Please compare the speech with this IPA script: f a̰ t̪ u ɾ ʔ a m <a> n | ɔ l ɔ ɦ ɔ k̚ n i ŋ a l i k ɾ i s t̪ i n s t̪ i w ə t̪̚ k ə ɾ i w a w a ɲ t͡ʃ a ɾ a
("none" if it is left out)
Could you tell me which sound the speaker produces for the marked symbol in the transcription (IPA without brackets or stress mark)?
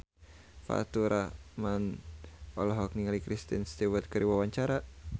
a